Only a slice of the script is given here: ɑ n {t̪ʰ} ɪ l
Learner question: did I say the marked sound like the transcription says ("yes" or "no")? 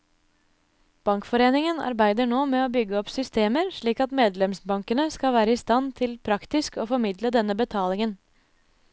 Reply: yes